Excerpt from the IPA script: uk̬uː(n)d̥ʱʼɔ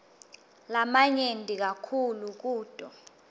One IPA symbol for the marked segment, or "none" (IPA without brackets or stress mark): none